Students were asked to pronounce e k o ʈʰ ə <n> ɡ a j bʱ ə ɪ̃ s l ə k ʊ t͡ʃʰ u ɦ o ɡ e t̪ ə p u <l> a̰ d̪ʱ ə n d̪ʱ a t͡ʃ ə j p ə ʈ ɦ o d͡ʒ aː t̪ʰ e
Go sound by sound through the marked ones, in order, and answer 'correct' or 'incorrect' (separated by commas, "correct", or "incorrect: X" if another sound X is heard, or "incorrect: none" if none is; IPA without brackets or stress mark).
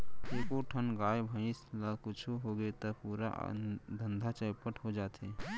correct, incorrect: ɾ